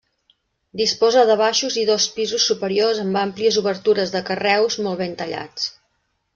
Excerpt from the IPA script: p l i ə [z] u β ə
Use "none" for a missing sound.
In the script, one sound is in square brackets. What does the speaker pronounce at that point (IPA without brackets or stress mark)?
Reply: z